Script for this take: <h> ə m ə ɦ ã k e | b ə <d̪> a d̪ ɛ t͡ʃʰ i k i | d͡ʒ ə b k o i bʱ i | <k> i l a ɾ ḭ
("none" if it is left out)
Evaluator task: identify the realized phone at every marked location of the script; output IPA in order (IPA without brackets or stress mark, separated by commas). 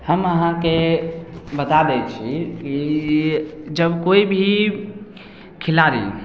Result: h, t̪, kʰ